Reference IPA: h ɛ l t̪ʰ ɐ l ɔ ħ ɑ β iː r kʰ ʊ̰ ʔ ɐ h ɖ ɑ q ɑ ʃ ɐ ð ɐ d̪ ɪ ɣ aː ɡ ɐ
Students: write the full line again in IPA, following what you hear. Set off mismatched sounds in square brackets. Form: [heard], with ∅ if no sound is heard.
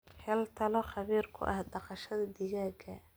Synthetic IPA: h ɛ l t̪ʰ ɐ l ɔ [χ] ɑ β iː r kʰ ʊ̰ ʔ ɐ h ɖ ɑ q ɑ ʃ ɐ ð ɐ d̪ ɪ ɣ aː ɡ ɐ